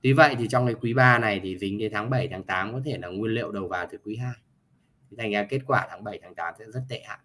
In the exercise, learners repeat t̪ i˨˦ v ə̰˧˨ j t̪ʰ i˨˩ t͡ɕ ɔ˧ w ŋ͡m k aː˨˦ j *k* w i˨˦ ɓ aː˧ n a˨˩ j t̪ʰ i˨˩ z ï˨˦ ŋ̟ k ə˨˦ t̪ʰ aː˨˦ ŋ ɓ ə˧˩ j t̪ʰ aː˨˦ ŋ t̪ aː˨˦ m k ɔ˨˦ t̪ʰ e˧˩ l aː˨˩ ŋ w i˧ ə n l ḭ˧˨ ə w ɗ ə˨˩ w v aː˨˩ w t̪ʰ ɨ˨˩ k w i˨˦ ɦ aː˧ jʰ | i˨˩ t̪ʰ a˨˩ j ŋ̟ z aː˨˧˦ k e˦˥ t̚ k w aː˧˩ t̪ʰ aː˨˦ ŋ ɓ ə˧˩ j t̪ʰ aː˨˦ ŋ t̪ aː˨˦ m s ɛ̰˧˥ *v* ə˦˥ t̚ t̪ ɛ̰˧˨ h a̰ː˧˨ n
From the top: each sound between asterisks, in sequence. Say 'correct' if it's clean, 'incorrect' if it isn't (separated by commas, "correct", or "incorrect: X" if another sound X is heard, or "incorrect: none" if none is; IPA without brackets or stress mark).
correct, incorrect: z